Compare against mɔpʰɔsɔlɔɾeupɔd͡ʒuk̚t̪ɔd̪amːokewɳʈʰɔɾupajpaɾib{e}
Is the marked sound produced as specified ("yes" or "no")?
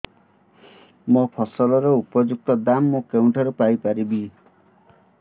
no